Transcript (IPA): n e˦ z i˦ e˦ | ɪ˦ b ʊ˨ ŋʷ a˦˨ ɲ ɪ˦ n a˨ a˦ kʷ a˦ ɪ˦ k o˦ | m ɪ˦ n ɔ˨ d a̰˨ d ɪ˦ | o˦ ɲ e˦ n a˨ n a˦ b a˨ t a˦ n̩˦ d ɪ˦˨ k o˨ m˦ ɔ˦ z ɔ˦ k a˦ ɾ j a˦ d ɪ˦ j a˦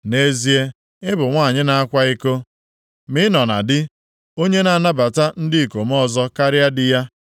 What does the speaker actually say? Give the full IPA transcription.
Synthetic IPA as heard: n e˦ z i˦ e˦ | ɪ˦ b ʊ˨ ŋʷ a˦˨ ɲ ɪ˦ n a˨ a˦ kʷ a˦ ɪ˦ k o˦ | m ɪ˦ n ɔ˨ n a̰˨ d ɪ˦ | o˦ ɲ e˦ n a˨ n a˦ b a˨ t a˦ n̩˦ d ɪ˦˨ k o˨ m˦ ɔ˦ z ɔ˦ k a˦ ɾ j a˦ d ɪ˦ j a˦

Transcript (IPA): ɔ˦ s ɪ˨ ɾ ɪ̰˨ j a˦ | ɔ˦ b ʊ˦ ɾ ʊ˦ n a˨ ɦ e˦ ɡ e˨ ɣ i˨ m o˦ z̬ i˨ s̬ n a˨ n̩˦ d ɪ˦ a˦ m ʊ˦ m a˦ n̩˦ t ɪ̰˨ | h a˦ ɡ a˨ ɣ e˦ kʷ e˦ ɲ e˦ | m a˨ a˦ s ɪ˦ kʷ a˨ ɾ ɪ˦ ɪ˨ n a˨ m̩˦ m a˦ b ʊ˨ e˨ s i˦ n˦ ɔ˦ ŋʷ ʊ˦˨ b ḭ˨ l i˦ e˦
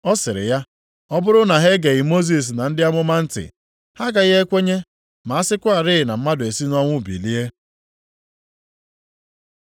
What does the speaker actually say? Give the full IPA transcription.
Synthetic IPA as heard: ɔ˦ s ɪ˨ ɾ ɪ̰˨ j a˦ | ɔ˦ b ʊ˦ ɾ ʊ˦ n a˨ ɦ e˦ ɡ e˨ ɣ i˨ m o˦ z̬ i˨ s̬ n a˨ n̩˦ d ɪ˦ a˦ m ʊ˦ m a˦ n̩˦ t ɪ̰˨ | h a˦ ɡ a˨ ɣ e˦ kʷ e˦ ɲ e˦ | m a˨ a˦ s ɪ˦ kʷ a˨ ɾ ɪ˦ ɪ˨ n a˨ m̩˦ m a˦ d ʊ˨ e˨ s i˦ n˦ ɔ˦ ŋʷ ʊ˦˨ b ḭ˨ l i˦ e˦

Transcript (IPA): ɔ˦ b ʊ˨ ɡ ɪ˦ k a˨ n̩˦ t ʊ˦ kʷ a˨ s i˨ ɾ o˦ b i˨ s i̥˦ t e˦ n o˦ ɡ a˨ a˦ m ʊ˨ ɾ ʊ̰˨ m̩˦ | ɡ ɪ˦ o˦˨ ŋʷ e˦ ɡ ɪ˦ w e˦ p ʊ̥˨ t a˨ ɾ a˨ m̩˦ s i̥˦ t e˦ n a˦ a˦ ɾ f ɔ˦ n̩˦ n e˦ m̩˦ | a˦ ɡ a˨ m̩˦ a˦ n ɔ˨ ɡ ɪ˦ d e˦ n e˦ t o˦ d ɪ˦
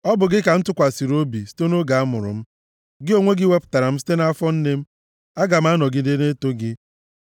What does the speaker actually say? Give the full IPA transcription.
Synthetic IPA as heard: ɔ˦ b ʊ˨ ɡ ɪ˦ k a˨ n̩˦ t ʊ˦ kʷ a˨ s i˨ ɾ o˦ b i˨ s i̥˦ t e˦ n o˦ ɡ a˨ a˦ m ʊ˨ ɾ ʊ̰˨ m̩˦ | ɡ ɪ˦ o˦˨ ŋʷ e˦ ɡ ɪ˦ w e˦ p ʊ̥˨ t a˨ ɾ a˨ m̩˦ s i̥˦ t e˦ n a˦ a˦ f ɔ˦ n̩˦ n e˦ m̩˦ | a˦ ɡ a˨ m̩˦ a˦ n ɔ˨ ɡ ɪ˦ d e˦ n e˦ t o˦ ɡ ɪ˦

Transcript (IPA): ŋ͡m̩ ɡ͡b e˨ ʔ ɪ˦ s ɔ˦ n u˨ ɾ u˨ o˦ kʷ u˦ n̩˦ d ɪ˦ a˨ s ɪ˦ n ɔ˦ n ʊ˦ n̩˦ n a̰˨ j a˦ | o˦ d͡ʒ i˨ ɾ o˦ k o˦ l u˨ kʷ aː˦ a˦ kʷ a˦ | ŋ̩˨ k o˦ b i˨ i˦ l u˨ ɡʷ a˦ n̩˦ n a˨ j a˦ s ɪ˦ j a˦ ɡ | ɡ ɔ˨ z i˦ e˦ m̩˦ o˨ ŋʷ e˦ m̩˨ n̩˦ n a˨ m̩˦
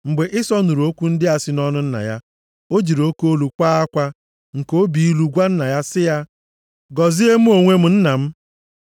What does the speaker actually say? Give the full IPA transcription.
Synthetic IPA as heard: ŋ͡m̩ ɡ͡b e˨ ʔ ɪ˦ s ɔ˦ n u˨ ɾ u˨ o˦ kʷ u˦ n̩˦ d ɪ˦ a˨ s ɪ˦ n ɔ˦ n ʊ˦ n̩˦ n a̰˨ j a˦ | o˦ d͡ʒ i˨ ɾ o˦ k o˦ l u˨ kʷ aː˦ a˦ kʷ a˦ | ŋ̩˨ k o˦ b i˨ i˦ l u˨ ɡʷ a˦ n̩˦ n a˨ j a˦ s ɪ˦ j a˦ | ɡ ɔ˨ z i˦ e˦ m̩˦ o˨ ŋʷ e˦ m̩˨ n̩˦ n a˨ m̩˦

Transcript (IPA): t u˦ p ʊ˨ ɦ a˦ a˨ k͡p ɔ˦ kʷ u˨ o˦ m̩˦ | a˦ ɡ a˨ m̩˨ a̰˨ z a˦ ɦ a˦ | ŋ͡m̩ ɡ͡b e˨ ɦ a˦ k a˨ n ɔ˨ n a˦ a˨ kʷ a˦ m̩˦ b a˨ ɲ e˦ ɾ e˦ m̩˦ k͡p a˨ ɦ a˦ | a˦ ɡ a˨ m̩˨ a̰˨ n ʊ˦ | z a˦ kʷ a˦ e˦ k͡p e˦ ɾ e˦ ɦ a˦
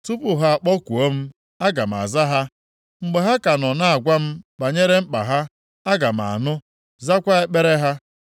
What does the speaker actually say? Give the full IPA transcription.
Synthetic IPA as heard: t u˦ p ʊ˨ ɦ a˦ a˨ k͡p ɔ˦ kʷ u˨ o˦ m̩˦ | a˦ ɡ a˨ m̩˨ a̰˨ z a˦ ɦ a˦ | ŋ͡m̩ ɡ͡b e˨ ɦ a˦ k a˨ n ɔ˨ n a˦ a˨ ɡʷ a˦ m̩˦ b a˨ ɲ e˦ ɾ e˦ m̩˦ k͡p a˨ ɦ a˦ | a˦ ɡ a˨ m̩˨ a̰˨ n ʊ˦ | z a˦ kʷ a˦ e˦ k͡p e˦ ɾ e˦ ɦ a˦

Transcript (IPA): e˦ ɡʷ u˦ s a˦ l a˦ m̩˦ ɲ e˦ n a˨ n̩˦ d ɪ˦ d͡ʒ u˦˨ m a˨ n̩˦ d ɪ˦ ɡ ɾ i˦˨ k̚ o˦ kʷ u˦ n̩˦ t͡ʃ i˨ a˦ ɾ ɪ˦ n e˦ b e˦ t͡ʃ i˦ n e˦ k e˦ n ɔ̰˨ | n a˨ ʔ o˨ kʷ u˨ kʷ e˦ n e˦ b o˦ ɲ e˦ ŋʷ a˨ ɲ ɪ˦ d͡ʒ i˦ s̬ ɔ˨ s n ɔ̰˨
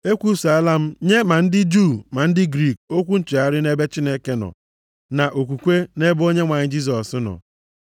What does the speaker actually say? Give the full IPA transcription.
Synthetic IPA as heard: e˦ kʷ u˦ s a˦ l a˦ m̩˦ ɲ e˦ m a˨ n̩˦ d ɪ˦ d͡ʒ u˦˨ m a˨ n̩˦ d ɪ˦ ɡ ɾ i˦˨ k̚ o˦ kʷ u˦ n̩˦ t͡ʃ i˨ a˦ ɾ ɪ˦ n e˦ b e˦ t͡ʃ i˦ n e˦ k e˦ n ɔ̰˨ | n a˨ ʔ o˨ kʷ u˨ kʷ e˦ n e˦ b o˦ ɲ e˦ ŋʷ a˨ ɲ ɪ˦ d͡ʒ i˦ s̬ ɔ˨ s n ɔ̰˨

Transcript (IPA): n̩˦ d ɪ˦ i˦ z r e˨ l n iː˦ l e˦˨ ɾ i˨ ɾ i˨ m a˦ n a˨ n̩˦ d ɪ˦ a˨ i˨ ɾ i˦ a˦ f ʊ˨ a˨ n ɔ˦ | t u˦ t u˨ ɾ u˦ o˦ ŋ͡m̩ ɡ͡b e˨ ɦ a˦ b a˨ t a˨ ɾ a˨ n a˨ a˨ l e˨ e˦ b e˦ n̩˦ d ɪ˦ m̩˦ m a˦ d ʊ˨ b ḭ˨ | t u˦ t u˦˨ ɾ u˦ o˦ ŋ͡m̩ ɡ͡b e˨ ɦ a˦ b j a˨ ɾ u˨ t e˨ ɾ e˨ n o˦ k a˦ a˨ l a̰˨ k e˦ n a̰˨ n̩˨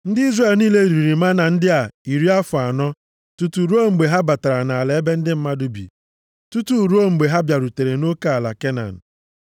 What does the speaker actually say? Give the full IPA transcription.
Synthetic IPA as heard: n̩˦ d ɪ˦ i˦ z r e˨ l n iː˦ l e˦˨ ɾ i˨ ɾ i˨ m a˦ n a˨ n̩˦ d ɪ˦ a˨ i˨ ɾ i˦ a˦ f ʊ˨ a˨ n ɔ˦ | t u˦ t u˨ ɾ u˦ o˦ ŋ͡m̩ ɡ͡b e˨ ɦ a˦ b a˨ t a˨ ɾ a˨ n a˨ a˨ l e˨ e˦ b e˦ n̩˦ d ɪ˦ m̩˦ m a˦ d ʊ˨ b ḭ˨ | t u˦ t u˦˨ ɾ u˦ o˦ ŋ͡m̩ ɡ͡b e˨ ɦ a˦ b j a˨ ɾ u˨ t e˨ ɾ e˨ n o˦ k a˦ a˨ l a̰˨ k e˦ n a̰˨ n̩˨

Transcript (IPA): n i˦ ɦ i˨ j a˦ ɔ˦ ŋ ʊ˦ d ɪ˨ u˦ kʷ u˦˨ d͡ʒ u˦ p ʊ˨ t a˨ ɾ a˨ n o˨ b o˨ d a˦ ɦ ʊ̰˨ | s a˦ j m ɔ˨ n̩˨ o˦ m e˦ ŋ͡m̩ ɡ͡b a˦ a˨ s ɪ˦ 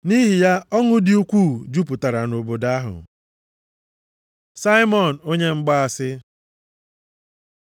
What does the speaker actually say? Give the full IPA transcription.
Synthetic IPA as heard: n i˦ ɦ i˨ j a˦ ɔ˦ ŋ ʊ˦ d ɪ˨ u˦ kʷ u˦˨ d͡ʒ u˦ p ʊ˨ t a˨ ɾ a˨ n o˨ b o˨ d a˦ ɦ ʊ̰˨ | s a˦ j m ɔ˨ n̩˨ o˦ ɲ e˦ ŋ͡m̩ ɡ͡b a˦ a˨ s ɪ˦

